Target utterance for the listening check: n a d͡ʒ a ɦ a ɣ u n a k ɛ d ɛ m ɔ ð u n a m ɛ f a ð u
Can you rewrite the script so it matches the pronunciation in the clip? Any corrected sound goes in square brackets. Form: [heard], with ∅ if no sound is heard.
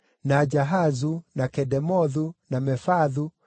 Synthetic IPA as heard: n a d͡ʒ a ɦ a [z] u n a k ɛ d ɛ m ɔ ð u n a m ɛ f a ð u

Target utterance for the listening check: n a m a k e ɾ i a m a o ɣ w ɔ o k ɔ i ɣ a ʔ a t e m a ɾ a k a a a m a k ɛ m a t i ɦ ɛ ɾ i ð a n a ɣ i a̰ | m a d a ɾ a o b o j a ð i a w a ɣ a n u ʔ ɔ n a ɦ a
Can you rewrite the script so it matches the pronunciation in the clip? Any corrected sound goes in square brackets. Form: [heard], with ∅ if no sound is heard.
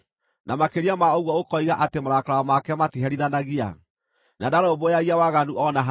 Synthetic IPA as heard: n a m a k e ɾ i a m a o ɣ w ɔ o k ɔ i ɣ a ʔ a t e m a ɾ a k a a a m a k ɛ m a t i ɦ ɛ ɾ i ð a n a ɣ i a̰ | [n] a d a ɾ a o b o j a [ɣ] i a w a ɣ a n u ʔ ɔ n a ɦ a

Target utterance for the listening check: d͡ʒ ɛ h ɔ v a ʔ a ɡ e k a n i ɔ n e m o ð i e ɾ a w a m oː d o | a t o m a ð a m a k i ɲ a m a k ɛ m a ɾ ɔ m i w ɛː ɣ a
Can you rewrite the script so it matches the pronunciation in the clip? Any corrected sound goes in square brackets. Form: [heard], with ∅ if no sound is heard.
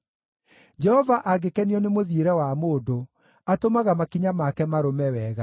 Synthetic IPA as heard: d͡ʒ ɛ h ɔ v a ʔ a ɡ e k [ɛ] n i ɔ n e m o ð i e ɾ [ɛ] w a m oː d o | a t o m a [ɣ] a m a k i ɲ a m a k ɛ m a ɾ [o] m [ɛ] w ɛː ɣ a

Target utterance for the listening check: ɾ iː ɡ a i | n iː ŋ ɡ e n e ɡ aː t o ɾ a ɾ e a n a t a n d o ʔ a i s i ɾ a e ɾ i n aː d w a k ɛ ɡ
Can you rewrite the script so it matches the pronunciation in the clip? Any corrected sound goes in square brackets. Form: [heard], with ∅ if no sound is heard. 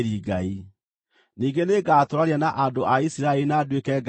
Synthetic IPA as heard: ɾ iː ɡ a i | n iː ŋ ɡ e n e ɡ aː t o ɾ a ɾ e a n a [ʔ] a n d o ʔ a i s i ɾ a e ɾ i n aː d w [e] k ɛ ɡ

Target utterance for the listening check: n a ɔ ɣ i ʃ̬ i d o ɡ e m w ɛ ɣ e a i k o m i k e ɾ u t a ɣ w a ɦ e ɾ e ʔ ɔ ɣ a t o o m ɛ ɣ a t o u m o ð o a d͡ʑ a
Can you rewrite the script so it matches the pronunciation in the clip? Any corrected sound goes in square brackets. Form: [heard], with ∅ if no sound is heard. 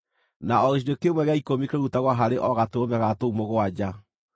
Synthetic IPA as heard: n a ɔ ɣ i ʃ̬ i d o [k] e m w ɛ ɣ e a i k o m i k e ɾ u t a ɣ w a ɦ [a] ɾ e ʔ ɔ ɣ a t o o m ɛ ɣ a t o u m o [ɣ] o a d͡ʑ a

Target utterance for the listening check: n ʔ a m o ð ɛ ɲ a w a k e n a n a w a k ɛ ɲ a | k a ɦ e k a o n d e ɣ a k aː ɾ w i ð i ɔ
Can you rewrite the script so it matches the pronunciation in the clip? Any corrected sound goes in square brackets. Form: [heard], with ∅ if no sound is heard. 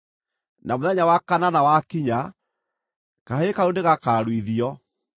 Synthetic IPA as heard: n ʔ a m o ð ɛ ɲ a w a k [a] n a n a w a k [i] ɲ a | k a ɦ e k a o n d e ɣ a k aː ɾ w i ð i ɔ

